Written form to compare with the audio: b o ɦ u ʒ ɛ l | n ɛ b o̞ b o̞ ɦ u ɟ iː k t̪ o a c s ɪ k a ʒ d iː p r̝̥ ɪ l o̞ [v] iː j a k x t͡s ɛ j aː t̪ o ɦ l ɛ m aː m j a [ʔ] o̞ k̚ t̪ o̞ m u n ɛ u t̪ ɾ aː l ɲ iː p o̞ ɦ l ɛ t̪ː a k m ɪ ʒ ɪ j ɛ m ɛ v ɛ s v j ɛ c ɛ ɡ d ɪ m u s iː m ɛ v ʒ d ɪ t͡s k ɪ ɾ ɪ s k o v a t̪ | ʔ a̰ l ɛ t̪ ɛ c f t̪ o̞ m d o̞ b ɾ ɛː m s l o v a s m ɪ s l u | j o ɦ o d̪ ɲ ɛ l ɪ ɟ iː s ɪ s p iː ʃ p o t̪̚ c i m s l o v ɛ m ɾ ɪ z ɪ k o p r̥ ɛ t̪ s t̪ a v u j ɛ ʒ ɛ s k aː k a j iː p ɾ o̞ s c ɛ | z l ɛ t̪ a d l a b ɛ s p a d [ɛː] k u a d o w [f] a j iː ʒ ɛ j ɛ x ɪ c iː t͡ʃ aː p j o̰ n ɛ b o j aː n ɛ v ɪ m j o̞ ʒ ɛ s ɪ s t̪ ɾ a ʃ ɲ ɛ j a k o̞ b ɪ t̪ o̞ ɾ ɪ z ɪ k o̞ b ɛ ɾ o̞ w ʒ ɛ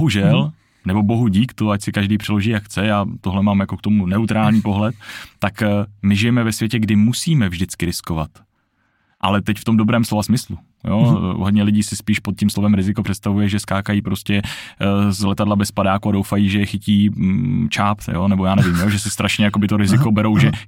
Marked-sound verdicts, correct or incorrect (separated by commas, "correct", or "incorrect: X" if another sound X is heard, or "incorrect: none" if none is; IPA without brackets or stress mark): incorrect: ʒ, incorrect: k, incorrect: aː, correct